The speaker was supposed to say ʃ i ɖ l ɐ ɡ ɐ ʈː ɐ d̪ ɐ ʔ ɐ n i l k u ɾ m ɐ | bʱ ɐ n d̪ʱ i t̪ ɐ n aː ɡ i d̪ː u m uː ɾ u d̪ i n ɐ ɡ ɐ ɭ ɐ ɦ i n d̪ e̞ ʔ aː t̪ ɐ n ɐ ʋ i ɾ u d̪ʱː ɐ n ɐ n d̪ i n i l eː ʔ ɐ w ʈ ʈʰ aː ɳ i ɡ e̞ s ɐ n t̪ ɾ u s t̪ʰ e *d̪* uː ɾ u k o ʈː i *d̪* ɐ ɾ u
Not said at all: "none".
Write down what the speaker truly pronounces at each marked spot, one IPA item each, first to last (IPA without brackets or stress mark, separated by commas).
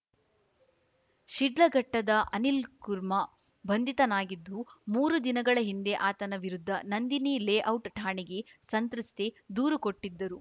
d̪, d̪ː